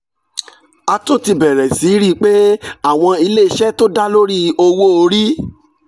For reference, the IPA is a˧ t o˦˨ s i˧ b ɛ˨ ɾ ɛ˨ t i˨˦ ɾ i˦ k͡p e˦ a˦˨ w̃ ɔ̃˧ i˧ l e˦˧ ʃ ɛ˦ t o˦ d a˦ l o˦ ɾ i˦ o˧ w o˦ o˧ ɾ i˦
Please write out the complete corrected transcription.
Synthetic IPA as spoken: a˧ t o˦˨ t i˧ b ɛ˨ ɾ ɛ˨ s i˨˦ ɾ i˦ k͡p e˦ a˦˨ w̃ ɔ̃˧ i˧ l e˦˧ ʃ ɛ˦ t o˦ d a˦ l o˦ ɾ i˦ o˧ w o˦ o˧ ɾ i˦